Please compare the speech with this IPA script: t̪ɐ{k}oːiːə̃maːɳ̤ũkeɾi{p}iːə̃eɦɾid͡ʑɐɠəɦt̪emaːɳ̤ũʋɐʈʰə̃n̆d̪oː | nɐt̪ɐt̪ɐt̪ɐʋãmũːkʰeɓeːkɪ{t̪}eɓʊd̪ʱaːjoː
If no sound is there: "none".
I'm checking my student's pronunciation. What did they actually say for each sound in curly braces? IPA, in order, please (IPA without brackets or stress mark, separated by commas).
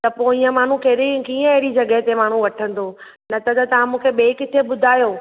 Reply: p, k, t̪ʰ